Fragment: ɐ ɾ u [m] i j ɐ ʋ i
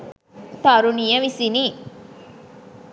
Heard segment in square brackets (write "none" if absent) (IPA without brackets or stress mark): n